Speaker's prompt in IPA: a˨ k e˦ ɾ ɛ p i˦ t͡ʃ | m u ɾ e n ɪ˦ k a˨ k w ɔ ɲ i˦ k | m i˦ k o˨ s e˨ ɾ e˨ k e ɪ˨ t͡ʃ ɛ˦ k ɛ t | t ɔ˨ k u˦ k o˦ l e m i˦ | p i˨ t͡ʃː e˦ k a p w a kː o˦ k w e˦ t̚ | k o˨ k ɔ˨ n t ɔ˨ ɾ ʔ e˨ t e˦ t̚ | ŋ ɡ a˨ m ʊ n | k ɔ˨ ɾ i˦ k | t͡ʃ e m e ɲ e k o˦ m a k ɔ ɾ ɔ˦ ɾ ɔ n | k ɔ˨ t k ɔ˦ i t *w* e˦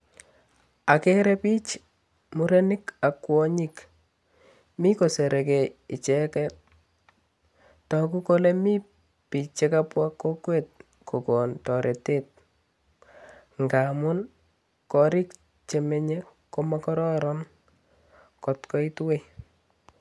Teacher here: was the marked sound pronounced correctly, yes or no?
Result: yes